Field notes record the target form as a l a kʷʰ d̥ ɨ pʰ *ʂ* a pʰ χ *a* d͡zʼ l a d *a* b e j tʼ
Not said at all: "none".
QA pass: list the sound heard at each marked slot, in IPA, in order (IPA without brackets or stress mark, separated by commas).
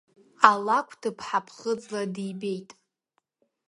ħ, ə, i